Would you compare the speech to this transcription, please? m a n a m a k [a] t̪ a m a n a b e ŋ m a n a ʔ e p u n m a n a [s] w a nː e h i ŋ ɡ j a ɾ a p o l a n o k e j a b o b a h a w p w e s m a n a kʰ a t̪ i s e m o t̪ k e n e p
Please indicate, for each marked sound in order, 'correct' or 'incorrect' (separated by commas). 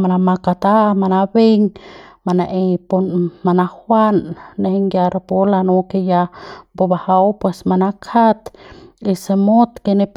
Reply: correct, incorrect